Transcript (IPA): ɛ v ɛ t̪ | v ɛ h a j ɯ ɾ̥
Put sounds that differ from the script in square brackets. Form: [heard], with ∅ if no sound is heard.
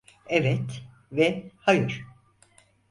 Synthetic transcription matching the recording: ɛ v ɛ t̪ | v ɛ h a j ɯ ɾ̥